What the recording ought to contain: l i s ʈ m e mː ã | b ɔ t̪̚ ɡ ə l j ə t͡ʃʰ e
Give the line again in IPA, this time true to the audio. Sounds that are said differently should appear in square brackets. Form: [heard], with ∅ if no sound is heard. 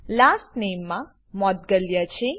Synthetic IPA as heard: l [a] s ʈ [n] e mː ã | [m] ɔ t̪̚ ɡ ə l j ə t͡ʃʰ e